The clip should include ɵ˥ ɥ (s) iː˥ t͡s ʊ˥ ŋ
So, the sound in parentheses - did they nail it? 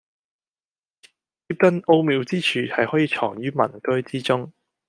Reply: no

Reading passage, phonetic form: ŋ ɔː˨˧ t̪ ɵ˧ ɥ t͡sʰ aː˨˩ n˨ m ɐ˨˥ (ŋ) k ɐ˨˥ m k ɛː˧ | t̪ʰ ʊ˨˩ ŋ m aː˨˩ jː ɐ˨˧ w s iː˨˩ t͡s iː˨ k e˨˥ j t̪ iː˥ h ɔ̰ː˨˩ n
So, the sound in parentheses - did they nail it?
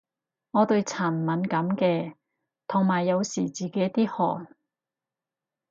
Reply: no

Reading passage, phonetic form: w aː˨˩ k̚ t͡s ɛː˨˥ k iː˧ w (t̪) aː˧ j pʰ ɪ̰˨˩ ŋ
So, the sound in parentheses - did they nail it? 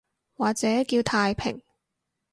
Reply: no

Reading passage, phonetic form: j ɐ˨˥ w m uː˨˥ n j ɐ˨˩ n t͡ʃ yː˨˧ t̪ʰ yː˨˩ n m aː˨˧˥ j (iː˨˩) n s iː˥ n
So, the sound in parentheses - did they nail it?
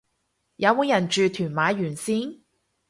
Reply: no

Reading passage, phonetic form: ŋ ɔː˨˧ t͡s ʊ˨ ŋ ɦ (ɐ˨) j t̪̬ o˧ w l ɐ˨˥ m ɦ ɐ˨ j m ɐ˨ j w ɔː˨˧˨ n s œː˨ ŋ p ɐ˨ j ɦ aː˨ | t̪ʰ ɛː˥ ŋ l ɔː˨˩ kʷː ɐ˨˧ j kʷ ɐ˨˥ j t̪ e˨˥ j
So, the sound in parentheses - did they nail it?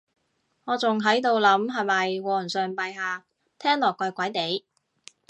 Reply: no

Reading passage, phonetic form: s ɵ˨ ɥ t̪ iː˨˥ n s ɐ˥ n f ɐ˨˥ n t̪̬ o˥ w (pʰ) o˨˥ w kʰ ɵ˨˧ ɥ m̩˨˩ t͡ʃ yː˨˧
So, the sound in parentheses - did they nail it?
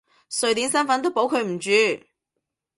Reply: no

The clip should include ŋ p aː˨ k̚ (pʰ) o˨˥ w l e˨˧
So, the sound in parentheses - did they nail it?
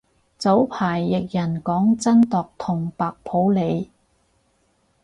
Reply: yes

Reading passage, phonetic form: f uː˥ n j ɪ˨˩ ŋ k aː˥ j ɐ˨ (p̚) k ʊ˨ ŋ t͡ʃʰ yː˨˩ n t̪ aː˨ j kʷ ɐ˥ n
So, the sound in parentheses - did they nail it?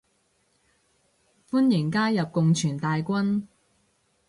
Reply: yes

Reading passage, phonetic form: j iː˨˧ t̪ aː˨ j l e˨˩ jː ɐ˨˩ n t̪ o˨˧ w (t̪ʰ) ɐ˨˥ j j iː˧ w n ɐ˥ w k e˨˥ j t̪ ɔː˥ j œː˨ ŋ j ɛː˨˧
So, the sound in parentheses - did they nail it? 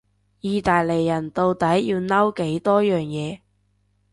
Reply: no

